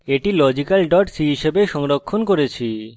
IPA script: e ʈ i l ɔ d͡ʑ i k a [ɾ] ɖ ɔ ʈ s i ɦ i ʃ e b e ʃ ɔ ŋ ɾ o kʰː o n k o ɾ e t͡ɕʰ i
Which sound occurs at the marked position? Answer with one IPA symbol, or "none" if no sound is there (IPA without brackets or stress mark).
l